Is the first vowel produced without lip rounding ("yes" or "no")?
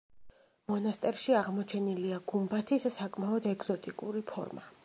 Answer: no